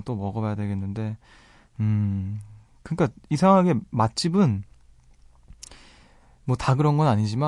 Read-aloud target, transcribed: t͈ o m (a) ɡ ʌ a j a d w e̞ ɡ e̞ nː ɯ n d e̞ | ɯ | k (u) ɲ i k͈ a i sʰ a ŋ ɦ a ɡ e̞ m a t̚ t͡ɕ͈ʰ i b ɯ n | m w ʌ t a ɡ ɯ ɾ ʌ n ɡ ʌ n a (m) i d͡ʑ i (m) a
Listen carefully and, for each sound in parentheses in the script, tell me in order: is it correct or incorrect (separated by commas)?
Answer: incorrect, incorrect, incorrect, correct